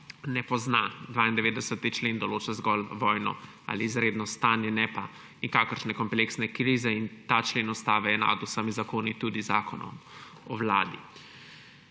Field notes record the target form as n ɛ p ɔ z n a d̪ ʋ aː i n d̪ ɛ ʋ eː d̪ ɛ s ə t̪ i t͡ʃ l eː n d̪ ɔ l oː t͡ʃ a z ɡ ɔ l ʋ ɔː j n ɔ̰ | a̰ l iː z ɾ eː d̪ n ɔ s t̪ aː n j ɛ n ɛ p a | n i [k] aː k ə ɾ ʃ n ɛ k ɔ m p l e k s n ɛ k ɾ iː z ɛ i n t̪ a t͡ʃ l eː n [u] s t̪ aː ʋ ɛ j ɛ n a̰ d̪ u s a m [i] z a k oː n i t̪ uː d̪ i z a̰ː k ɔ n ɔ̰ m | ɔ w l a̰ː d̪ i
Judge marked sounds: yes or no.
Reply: yes, no, yes

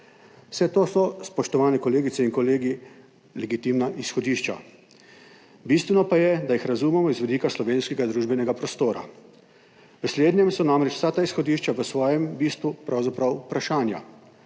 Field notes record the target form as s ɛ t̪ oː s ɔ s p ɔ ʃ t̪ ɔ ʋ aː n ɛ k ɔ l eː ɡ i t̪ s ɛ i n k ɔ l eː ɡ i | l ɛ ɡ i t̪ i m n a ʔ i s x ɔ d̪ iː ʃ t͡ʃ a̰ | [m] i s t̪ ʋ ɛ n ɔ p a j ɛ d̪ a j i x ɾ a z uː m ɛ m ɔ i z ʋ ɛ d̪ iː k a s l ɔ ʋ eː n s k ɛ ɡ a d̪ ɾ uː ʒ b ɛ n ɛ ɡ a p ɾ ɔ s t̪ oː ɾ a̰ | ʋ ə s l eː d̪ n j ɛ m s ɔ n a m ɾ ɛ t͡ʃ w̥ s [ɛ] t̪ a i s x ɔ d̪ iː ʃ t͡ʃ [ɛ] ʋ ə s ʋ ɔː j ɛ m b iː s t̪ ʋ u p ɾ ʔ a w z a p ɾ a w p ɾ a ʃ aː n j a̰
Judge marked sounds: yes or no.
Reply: no, no, no

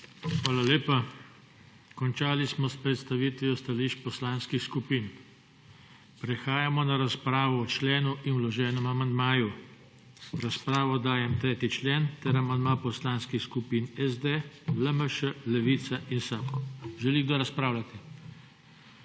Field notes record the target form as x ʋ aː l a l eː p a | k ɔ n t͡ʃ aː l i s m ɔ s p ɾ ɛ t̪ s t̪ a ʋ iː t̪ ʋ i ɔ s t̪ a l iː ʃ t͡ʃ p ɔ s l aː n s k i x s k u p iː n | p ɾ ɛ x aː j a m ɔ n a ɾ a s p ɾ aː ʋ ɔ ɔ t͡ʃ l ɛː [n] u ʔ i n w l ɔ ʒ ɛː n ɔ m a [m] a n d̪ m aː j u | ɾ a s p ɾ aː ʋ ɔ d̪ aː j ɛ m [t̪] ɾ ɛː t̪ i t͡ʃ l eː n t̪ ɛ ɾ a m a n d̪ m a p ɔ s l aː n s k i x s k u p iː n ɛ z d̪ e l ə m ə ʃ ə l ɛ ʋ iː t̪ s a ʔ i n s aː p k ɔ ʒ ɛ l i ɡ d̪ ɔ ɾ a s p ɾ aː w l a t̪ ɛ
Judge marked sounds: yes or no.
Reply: yes, yes, yes

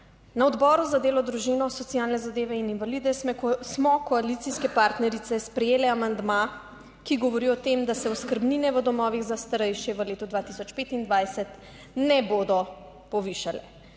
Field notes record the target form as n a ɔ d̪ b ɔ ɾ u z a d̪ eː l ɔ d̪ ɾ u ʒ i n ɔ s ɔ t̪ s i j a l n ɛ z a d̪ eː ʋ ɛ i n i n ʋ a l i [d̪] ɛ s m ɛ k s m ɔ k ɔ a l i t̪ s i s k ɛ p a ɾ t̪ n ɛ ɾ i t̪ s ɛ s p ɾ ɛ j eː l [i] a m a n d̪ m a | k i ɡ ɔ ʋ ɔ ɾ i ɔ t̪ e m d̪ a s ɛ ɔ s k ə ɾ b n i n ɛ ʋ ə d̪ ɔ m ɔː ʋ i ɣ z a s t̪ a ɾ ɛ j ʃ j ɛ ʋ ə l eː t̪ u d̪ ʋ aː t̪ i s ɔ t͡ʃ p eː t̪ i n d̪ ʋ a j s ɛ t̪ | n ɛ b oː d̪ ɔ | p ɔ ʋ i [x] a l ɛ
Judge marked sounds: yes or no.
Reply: yes, no, no

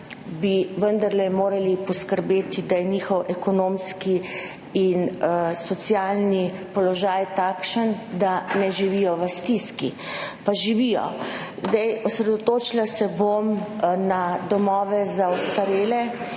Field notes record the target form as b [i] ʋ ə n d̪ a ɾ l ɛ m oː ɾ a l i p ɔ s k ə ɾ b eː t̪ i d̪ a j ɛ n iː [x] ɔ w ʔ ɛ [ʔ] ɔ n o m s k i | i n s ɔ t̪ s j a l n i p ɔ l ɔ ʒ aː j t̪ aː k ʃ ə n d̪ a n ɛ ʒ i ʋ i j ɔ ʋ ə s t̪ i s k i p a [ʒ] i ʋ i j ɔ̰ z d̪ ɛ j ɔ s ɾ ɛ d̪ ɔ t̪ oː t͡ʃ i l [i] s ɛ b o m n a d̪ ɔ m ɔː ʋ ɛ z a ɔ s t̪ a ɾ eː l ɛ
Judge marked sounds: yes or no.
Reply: yes, yes, no, yes, no

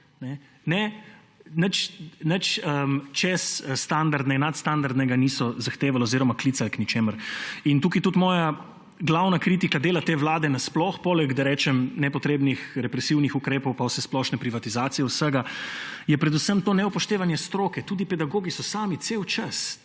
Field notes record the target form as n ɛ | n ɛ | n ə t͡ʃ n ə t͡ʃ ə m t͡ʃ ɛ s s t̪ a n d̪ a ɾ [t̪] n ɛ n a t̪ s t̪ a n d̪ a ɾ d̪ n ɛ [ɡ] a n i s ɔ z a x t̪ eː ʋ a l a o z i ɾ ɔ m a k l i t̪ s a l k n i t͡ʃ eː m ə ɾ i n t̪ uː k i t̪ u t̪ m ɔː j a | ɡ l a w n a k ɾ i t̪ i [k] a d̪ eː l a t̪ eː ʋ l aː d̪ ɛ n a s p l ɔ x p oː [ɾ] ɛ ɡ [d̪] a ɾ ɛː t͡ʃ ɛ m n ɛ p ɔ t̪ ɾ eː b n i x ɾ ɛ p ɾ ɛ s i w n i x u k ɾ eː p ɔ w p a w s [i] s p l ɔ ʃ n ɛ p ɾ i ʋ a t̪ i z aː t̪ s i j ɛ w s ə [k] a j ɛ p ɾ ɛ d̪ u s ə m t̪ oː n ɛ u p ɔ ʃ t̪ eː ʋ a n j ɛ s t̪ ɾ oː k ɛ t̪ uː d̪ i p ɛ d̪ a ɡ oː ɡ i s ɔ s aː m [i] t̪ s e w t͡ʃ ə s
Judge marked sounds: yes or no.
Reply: no, yes, yes, no, yes, no, no, yes

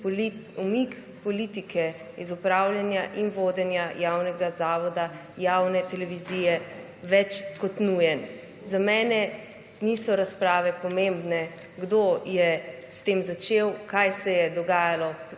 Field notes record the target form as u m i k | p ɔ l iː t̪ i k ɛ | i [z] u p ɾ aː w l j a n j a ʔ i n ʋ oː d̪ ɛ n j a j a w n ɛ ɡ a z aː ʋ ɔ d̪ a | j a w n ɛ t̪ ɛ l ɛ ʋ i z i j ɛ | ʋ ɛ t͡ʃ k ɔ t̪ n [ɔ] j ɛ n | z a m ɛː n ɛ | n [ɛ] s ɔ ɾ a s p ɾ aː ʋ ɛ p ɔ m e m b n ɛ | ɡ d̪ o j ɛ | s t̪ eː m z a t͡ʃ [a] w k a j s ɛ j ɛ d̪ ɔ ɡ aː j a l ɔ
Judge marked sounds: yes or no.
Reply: yes, no, no, no

